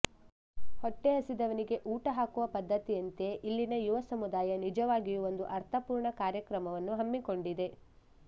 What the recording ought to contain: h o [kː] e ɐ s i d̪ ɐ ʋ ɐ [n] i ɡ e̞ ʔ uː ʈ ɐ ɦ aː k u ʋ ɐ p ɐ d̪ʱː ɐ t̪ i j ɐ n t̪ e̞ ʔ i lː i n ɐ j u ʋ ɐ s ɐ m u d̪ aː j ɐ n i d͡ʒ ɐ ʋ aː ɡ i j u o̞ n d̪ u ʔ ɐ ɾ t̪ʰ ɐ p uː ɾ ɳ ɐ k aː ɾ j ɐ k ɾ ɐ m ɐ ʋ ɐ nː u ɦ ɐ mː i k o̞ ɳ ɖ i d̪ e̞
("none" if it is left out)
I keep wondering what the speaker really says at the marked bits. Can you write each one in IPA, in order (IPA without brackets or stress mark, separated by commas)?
ʈː, n